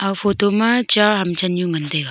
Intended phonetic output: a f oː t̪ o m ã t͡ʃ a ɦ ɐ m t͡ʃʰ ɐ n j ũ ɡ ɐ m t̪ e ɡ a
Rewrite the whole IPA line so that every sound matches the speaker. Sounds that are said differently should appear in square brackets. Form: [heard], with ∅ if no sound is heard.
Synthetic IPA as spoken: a f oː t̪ o m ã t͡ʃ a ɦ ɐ m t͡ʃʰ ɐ n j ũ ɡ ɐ [n] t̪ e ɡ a